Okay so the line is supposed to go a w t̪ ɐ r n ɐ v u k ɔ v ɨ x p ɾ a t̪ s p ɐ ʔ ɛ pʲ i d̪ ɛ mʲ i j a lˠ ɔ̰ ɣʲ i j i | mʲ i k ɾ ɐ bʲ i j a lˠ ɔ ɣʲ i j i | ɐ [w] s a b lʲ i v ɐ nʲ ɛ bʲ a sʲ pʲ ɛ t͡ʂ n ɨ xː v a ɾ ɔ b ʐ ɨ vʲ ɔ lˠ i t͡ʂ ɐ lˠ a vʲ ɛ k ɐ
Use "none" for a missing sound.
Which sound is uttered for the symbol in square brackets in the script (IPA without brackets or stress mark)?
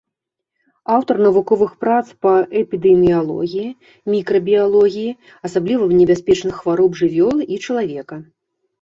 none